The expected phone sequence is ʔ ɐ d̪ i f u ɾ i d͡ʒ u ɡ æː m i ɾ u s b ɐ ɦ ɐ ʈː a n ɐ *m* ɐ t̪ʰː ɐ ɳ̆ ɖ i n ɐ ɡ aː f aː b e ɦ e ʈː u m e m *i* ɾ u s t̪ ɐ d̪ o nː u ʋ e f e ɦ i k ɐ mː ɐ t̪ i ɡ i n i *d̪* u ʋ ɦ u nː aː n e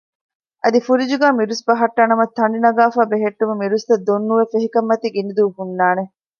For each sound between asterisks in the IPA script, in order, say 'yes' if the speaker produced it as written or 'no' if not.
yes, yes, yes

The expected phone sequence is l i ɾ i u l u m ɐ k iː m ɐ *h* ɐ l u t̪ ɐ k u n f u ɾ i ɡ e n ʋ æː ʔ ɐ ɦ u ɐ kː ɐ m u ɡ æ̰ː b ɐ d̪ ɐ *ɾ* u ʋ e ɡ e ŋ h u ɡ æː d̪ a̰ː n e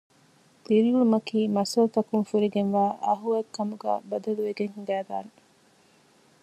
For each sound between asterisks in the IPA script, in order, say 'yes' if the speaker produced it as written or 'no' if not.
no, no

